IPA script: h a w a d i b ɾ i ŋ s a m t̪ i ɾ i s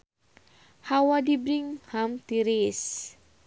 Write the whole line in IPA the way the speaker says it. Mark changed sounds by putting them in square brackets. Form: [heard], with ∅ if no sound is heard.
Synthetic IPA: h a w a d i b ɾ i ŋ [h] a m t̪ i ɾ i s